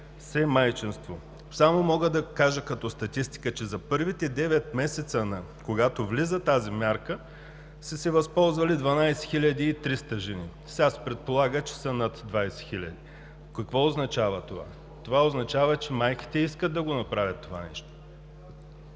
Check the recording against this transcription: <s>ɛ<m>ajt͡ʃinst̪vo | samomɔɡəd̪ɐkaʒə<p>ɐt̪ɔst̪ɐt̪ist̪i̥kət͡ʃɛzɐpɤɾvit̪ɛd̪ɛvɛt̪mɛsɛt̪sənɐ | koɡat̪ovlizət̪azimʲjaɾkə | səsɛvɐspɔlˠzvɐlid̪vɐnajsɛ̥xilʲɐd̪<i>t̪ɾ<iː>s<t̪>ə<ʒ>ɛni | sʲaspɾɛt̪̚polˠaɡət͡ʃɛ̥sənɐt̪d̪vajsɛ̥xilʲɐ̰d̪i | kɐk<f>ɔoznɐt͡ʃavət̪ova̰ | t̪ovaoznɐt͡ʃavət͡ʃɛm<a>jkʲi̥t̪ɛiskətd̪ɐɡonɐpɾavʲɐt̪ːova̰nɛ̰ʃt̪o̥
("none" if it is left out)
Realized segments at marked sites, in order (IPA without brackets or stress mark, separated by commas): s, m, k, iː, i, t̪, ʒ, v, a